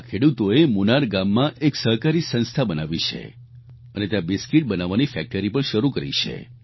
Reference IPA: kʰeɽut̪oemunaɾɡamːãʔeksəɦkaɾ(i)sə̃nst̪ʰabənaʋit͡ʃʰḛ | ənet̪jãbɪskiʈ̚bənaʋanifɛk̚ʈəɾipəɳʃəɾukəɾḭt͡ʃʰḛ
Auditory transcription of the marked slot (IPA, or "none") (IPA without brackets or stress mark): i